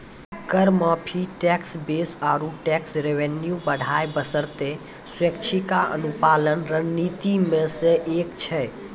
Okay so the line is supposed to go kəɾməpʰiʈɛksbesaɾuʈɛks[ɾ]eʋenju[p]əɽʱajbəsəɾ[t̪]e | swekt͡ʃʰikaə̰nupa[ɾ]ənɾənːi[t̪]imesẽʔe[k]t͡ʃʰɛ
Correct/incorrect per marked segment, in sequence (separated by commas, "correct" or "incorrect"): correct, incorrect, correct, incorrect, correct, correct